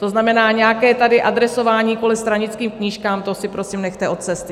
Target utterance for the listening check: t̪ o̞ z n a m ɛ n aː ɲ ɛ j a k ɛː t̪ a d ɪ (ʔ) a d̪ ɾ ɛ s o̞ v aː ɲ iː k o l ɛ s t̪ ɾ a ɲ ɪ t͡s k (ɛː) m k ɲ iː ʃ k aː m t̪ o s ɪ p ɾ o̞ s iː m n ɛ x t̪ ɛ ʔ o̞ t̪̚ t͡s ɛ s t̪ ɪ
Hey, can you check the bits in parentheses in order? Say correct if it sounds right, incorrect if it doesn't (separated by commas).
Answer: correct, incorrect